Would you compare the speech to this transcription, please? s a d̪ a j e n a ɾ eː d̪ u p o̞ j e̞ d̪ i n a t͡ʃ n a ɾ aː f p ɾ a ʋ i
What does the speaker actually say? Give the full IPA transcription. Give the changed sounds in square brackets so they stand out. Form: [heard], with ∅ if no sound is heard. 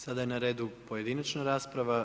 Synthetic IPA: s a d̪ a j e n a ɾ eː d̪ u p o̞ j e̞ d̪ i n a t͡ʃ n a ɾ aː [s] p ɾ a ʋ [a]